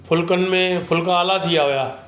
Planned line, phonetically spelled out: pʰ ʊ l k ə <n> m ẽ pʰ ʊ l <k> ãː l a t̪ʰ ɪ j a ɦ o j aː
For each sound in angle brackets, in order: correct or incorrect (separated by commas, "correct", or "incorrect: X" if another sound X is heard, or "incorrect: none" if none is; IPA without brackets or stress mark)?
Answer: correct, correct